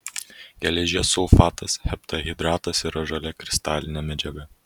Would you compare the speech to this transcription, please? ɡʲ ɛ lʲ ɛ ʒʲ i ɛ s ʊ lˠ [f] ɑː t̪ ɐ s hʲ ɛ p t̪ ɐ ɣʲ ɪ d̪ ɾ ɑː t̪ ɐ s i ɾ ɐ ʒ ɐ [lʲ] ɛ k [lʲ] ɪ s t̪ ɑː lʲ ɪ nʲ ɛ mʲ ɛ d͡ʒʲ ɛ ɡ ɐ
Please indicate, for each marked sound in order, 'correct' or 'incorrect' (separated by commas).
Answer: correct, correct, incorrect